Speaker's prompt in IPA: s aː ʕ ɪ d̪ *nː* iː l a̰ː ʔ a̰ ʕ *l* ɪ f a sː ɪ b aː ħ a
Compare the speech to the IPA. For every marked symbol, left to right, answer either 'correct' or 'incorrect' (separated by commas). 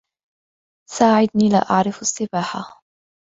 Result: incorrect, incorrect